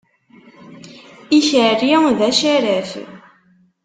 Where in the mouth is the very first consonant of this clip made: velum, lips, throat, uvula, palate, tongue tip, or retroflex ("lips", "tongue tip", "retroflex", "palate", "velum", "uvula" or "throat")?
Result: palate